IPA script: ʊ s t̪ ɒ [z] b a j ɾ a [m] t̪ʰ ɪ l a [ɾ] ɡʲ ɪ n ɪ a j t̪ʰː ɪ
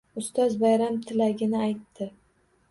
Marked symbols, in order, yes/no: yes, yes, no

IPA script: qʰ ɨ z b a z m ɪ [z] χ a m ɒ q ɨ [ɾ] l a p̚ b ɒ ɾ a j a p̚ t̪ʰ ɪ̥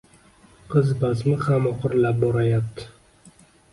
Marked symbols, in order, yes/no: no, yes

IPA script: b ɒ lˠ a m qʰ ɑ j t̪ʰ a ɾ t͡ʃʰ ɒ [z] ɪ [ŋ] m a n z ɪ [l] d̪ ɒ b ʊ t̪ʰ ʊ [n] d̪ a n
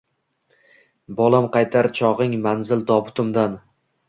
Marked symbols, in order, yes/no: no, yes, yes, no

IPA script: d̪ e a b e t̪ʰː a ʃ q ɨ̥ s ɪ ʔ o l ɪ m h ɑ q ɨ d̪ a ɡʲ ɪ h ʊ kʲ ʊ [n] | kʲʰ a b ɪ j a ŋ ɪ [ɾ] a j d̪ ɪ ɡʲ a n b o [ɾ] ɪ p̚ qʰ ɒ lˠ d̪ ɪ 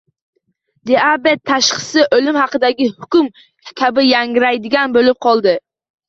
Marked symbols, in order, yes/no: no, yes, no

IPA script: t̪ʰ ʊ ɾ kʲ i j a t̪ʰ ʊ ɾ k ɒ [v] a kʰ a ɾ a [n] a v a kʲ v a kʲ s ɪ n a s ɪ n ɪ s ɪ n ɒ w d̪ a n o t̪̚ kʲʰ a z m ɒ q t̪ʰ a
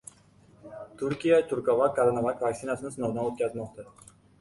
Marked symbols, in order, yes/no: yes, yes

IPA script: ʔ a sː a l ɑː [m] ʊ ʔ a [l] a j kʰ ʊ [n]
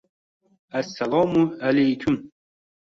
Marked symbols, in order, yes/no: yes, yes, no

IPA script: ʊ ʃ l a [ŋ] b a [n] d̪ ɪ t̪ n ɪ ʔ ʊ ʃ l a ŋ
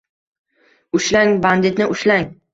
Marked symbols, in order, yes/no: yes, yes

